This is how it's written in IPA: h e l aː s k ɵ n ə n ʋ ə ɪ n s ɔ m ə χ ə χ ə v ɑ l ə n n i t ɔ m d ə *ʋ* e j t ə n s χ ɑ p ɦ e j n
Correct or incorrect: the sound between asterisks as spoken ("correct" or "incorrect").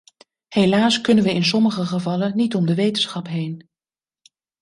correct